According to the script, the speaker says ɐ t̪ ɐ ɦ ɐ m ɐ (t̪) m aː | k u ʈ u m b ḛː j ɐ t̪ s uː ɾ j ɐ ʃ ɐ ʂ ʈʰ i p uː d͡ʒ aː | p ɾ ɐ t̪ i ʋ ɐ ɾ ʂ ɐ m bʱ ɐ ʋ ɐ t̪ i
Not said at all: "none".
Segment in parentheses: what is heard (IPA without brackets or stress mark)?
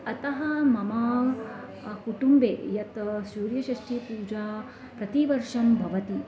none